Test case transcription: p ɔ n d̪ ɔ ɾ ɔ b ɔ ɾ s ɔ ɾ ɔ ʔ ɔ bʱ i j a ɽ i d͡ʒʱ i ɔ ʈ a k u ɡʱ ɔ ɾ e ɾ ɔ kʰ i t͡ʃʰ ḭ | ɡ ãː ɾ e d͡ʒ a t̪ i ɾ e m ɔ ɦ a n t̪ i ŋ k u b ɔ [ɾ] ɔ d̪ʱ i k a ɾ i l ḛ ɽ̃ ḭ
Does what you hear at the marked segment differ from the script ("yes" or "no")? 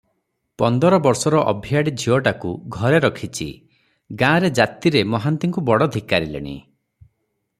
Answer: yes